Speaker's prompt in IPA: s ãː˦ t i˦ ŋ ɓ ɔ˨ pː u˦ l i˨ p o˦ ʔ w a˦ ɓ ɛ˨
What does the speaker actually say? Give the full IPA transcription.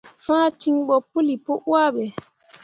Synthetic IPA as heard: f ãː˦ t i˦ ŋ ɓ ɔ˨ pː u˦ l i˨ p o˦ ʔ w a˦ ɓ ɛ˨